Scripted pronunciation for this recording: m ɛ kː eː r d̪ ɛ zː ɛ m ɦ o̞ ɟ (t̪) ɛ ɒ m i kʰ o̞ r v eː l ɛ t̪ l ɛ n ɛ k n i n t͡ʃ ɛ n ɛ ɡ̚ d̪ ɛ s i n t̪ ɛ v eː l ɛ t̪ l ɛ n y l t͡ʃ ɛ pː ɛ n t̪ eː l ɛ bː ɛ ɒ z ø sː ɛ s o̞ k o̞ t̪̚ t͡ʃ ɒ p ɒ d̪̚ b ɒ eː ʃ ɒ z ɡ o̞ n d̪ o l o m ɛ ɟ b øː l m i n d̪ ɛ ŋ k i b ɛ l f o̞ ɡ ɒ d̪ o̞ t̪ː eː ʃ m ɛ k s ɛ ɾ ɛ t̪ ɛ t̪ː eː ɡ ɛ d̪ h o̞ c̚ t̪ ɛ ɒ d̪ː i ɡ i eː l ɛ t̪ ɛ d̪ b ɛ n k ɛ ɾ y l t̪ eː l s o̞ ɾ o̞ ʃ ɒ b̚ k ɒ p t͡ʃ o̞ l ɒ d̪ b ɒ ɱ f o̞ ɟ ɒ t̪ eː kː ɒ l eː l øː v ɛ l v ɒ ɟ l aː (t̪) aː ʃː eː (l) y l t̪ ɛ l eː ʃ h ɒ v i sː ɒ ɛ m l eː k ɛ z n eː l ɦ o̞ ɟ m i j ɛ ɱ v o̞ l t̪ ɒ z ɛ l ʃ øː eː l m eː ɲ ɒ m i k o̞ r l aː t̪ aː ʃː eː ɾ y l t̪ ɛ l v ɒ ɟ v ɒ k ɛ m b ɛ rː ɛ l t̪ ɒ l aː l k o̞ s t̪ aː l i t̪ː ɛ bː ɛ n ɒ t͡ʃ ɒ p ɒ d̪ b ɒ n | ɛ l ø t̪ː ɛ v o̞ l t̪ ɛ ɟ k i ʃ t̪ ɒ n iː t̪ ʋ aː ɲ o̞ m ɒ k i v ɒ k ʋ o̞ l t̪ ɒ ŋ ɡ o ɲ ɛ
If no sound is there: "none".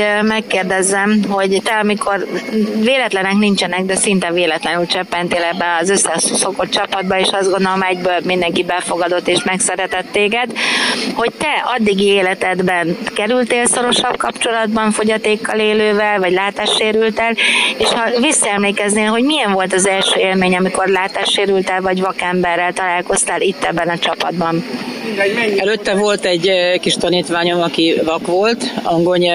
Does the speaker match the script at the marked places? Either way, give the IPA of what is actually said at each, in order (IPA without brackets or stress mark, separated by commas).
t̪, t̪, ɾ